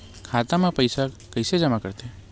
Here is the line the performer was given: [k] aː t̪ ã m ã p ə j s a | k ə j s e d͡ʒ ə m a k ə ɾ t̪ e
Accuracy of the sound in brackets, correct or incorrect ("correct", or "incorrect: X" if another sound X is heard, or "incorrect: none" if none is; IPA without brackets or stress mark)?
incorrect: kʰ